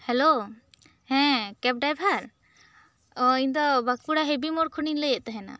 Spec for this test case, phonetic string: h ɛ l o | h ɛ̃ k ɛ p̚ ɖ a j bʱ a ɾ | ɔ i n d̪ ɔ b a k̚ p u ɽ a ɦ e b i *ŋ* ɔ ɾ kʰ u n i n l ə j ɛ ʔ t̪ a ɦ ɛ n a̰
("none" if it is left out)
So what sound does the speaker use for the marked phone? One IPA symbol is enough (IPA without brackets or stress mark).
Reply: m